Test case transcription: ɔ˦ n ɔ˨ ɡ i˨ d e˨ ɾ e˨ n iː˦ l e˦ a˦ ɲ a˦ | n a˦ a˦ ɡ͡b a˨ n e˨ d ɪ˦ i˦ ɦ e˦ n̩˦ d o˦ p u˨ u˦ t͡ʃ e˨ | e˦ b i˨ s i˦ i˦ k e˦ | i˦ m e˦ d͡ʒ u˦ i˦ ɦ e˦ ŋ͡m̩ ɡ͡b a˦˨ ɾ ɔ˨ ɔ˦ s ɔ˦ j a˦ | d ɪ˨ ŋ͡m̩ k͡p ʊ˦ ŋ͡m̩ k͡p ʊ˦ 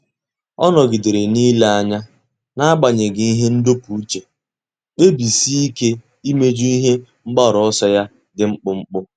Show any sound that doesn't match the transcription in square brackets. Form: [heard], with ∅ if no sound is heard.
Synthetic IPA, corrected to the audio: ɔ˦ n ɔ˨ ɡ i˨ d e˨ ɾ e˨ n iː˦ l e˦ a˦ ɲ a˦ | n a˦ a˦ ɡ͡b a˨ [ɲ] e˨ [ɡ] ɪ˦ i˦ ɦ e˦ n̩˦ d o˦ p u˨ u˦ t͡ʃ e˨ | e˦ b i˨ s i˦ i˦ k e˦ | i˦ m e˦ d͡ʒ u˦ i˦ ɦ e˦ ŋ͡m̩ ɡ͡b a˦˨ ɾ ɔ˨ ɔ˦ s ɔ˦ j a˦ | d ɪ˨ ŋ͡m̩ k͡p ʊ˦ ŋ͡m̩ k͡p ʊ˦

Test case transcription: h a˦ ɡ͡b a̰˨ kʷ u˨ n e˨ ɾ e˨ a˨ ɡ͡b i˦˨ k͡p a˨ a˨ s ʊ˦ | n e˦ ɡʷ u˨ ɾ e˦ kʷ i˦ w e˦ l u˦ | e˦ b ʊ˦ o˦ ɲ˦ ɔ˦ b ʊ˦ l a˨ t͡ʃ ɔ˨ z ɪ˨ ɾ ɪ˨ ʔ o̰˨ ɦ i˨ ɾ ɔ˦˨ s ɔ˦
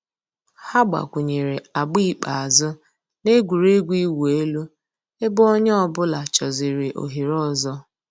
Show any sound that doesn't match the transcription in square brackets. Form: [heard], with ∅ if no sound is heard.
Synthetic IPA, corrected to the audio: h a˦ ɡ͡b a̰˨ kʷ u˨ [ɲ] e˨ ɾ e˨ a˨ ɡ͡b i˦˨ k͡p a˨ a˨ [z] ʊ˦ | n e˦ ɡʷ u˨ ɾ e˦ [ɡʷ] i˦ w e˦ l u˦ | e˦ b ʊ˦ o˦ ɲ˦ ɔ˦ b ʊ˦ l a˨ t͡ʃ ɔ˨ z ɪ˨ ɾ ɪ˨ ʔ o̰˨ ɦ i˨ ɾ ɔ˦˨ [z] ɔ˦

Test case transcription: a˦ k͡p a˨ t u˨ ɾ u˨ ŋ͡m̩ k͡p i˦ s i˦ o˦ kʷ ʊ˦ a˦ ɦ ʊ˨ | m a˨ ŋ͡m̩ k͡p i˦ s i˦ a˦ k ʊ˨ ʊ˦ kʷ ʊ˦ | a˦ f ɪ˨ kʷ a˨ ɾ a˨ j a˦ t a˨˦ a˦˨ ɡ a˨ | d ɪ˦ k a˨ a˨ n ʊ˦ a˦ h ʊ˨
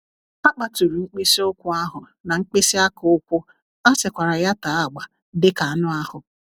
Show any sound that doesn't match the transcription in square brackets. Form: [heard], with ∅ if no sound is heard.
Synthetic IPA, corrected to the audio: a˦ k͡p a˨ t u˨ ɾ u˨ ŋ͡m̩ k͡p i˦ s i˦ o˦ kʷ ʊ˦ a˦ ɦ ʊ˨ | [n] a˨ ŋ͡m̩ k͡p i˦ s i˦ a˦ k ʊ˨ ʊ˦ kʷ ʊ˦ | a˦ [s] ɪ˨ kʷ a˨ ɾ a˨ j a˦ t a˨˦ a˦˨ [ɡ͡b] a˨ | d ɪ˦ k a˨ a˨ n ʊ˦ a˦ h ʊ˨

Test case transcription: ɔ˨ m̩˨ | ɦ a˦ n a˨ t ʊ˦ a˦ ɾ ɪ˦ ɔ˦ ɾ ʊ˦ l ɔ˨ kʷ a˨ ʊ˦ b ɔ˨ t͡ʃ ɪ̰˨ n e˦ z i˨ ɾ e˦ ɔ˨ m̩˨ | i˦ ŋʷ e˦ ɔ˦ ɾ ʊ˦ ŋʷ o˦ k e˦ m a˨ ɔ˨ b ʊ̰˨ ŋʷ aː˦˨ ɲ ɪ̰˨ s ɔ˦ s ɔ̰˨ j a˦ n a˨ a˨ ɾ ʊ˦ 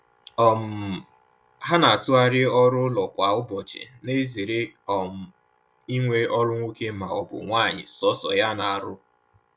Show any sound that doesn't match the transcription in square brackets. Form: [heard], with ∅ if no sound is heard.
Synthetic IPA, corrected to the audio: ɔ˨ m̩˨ | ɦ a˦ n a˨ t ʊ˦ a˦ ɾ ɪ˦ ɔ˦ ɾ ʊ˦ l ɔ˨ kʷ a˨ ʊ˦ b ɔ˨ t͡ʃ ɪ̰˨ n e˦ z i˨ ɾ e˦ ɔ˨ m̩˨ | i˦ ŋʷ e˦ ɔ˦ ɾ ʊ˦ ŋʷ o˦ k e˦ m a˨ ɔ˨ b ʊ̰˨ ŋʷ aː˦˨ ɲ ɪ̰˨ s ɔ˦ s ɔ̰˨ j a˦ n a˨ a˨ ɾ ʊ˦

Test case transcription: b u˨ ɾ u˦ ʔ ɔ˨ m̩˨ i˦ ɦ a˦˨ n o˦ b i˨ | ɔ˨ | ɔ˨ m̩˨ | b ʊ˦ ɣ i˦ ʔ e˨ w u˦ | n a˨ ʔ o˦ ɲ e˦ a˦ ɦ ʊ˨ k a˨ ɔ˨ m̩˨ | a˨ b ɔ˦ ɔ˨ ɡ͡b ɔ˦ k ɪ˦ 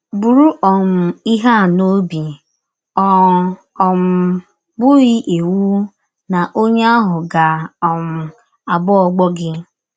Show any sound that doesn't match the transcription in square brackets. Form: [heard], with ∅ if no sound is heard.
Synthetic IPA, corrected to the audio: b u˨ ɾ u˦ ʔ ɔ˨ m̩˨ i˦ ɦ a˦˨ n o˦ b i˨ | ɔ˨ | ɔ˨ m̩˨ | b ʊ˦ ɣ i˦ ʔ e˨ w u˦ | n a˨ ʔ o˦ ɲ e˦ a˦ ɦ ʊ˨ [ɡ] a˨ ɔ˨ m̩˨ | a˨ b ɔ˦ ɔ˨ ɡ͡b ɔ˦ [ɡ] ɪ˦

